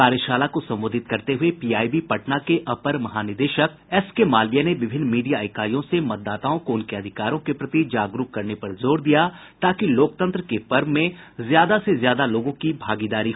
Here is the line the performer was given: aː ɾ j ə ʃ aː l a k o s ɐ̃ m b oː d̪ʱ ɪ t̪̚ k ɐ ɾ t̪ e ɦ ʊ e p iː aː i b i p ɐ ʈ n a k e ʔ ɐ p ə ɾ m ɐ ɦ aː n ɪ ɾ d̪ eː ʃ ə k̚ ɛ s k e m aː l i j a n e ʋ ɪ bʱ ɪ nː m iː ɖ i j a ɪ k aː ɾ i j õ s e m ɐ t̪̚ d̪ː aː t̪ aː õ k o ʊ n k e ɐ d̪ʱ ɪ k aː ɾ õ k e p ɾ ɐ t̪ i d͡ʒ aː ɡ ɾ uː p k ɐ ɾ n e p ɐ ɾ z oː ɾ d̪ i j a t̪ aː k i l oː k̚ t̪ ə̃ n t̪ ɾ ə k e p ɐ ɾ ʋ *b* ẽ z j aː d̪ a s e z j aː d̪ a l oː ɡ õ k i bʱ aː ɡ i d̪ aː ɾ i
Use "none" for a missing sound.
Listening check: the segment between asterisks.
m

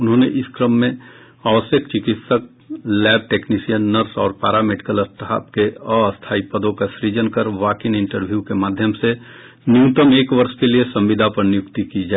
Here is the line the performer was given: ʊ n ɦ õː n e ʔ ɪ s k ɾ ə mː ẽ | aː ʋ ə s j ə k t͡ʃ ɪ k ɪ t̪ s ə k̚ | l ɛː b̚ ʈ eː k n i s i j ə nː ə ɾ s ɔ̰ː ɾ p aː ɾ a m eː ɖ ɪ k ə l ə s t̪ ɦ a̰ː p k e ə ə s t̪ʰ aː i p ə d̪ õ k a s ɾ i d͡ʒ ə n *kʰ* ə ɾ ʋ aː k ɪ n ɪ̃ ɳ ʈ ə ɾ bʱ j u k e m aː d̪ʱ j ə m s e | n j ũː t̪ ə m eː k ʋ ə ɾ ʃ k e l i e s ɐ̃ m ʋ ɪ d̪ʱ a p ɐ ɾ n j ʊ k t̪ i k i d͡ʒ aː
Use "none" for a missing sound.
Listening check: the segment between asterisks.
k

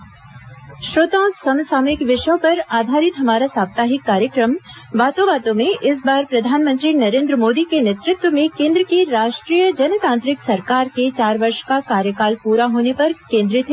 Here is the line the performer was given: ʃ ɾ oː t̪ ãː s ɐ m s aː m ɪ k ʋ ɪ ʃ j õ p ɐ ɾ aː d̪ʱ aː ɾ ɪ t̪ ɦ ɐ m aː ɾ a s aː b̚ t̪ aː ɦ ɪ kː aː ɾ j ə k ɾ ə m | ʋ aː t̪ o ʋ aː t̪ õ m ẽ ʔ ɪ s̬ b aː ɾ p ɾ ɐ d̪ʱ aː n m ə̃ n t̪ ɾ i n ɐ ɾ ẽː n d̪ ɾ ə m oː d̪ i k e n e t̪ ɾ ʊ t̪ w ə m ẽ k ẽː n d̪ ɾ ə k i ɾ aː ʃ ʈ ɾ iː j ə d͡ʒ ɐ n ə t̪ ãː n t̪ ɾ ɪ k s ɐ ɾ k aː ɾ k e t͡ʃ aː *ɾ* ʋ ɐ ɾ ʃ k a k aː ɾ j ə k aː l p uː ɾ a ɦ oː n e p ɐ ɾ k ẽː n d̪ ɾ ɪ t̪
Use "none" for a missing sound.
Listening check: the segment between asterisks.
ɾ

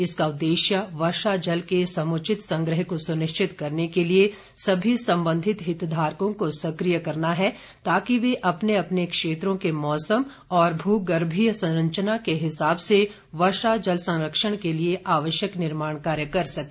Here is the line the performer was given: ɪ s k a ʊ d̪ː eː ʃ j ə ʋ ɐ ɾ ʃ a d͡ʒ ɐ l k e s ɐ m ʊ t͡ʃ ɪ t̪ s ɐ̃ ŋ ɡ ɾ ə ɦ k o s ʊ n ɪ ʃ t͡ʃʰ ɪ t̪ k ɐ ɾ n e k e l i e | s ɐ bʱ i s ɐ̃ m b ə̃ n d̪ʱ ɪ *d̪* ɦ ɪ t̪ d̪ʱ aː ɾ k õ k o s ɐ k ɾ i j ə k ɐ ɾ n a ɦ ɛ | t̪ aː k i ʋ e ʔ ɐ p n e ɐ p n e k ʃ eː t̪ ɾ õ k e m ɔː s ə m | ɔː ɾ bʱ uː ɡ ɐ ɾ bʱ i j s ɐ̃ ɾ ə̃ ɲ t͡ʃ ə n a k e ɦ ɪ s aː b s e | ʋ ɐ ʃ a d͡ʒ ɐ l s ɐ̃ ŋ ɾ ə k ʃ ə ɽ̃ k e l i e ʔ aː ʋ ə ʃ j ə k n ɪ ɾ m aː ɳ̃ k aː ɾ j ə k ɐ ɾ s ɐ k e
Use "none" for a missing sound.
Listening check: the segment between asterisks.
t̪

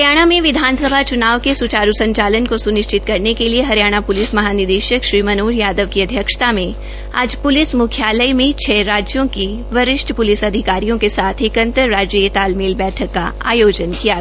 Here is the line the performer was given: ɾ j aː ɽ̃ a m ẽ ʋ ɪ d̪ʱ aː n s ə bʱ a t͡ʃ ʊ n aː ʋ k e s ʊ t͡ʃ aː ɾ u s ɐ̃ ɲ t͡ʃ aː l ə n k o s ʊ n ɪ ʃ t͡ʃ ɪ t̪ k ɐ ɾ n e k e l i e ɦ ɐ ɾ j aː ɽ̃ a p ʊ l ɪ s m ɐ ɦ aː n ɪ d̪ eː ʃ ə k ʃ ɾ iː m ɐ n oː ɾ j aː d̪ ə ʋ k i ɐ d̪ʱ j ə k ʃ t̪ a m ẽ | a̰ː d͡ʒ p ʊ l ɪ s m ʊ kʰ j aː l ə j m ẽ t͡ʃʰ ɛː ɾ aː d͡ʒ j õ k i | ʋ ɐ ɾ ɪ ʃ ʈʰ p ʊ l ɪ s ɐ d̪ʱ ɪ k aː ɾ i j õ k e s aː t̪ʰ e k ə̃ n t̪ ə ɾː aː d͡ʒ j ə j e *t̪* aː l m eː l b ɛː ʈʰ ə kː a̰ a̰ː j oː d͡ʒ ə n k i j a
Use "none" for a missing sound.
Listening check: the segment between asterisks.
t̪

